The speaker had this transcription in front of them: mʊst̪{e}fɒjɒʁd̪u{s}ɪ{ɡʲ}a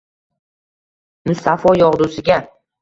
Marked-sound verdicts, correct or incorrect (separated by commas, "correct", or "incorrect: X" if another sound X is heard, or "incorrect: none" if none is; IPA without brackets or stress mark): incorrect: a, correct, correct